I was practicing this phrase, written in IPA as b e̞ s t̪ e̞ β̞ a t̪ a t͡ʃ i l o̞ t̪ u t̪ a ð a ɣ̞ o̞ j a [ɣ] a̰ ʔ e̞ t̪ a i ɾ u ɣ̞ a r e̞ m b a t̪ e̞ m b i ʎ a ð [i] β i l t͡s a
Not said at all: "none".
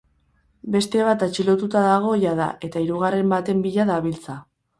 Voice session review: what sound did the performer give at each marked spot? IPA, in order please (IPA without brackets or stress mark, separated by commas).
ð, a